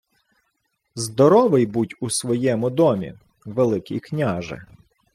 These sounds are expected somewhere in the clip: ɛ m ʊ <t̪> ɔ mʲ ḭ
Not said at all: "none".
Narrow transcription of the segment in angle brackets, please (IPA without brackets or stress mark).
d̪